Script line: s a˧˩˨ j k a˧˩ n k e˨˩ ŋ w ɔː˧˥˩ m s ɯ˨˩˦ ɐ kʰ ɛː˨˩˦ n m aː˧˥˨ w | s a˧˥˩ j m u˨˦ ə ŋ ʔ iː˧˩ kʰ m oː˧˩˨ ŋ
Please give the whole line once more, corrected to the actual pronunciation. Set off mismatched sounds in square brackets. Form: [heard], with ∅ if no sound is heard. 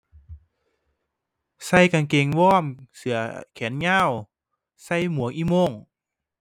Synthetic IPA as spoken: s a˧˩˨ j k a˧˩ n k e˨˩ ŋ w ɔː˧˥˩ m s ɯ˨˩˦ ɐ kʰ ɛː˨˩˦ n [ɲ] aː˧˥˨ w | s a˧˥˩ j m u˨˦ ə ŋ ʔ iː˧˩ [∅] m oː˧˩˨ ŋ